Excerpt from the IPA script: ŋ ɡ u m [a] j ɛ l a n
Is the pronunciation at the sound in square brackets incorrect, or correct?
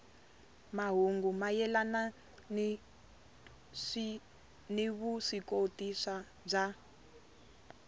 correct